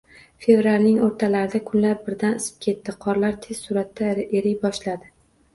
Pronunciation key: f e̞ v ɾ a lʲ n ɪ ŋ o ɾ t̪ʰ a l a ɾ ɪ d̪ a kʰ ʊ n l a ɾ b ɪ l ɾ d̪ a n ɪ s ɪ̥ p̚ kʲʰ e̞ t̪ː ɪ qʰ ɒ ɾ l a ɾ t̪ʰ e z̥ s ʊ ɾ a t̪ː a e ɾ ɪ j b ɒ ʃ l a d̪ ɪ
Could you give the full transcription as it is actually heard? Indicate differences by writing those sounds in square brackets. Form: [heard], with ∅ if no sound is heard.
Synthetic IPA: f e̞ v ɾ a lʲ n ɪ ŋ o ɾ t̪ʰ a l a ɾ ɪ d̪ a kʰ ʊ n l a ɾ b ɪ [∅] ɾ d̪ a n ɪ s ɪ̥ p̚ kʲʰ e̞ t̪ː ɪ qʰ ɒ ɾ l a ɾ t̪ʰ e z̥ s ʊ ɾ a t̪ː a e ɾ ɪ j b ɒ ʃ l a d̪ ɪ